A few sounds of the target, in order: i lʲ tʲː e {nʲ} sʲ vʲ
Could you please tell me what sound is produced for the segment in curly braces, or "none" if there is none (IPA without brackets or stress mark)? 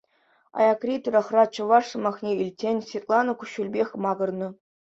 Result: nʲ